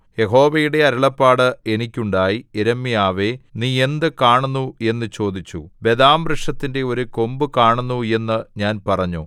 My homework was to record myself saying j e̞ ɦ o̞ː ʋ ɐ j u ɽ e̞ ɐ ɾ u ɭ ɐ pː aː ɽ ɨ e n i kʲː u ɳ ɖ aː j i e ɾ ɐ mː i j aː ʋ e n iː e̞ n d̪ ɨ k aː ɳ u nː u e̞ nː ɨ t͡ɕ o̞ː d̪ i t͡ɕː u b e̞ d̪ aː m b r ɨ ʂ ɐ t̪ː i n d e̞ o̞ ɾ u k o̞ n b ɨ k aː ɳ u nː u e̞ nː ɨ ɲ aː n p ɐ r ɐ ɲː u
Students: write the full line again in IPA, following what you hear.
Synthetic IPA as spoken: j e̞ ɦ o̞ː ʋ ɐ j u ɽ e̞ ɐ ɾ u ɭ ɐ pː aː ɽ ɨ e n i kʲː u ɳ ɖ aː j i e ɾ ɐ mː i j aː ʋ e n iː e̞ n d̪ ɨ k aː ɳ u nː u e̞ nː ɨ t͡ɕ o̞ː d̪ i t͡ɕː u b e̞ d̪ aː m b r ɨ ʂ ɐ t̪ː i n d e̞ o̞ ɾ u k o̞ m b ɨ k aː ɳ u nː u e̞ nː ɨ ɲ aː n p ɐ r ɐ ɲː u